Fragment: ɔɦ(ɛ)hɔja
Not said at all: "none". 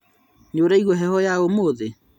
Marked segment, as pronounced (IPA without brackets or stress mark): ɛ